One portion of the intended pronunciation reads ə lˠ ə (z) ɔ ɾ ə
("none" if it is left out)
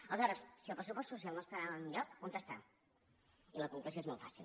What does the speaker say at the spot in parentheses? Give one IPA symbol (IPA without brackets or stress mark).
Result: z